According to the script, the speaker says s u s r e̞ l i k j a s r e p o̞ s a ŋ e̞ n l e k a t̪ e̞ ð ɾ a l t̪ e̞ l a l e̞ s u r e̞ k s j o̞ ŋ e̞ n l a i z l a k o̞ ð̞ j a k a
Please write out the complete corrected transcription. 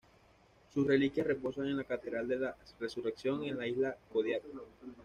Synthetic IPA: s u s r e̞ l i k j a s r e p o̞ s a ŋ e̞ n l a k a t̪ e̞ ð ɾ a l d̪ e̞ l a r e̞ s u r e̞ k s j o̞ ŋ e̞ n l a i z l a k o̞ ð̞ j a k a